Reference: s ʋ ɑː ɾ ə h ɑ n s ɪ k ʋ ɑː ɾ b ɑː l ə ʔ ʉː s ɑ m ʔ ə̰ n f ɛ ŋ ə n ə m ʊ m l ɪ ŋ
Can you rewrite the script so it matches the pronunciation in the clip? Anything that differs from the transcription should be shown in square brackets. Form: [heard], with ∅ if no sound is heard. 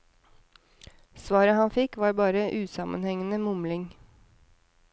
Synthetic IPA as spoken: s ʋ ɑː ɾ ə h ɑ n [f] ɪ k ʋ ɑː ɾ b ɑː [ɾ] ə ʔ ʉː s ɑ m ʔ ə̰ n [h] ɛ ŋ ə n ə m ʊ m l ɪ ŋ